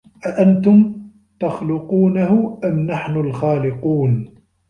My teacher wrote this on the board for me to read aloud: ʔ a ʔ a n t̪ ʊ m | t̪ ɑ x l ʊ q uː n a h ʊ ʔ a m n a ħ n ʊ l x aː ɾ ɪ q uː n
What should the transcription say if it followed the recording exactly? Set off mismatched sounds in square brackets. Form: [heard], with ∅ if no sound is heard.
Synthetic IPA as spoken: ʔ a ʔ a n t̪ ʊ m | t̪ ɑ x l ʊ q uː n a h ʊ ʔ a m n a ħ n ʊ l x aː [l] ɪ q uː n